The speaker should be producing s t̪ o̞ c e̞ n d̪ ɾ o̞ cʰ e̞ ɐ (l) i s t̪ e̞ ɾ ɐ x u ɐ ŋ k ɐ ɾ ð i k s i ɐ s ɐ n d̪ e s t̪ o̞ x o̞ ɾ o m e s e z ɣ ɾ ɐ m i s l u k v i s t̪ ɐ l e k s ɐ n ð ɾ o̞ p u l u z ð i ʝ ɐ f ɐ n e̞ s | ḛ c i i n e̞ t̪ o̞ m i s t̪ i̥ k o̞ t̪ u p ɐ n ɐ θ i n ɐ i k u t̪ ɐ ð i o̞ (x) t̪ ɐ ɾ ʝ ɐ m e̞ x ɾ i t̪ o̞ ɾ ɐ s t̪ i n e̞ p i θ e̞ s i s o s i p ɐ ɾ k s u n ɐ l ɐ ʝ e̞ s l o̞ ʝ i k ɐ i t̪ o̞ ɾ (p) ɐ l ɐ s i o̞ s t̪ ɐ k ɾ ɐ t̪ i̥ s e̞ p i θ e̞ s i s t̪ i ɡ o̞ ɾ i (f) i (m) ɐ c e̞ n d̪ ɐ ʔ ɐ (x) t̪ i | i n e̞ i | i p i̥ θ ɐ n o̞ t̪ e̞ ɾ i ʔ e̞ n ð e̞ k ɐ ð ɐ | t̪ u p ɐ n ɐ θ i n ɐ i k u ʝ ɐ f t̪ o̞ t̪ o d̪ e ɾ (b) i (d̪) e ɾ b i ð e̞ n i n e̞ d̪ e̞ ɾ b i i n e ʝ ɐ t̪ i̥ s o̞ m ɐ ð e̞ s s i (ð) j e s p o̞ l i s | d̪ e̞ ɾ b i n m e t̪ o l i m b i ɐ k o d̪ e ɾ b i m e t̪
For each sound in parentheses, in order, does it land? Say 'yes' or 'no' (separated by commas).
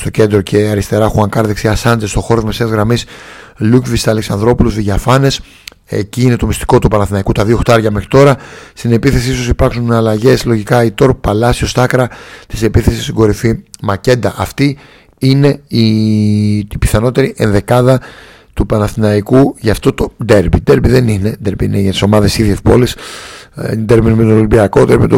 no, yes, yes, yes, yes, no, yes, yes, yes